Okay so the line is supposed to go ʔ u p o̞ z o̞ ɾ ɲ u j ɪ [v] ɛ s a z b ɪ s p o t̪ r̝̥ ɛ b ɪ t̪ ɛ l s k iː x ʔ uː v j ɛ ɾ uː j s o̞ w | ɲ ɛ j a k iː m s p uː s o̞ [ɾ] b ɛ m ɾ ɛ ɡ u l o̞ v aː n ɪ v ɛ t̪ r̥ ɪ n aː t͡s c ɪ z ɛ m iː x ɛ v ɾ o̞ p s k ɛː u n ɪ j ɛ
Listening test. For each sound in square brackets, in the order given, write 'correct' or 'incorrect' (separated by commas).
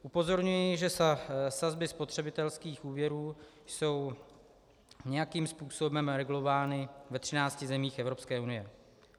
incorrect, incorrect